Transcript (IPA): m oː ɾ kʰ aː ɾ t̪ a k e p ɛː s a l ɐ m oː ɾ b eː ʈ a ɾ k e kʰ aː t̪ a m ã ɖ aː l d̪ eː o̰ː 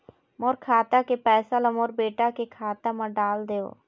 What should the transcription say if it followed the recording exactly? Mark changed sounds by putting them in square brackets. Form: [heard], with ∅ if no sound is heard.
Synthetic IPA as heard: m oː ɾ kʰ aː [∅] t̪ a k e p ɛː s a l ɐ m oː ɾ b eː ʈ a [∅] k e kʰ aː t̪ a m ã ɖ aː l d̪ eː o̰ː